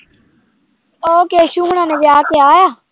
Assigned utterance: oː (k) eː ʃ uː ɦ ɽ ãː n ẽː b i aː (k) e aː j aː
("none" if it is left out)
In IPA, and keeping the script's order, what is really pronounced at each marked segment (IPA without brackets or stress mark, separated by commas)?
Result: k, k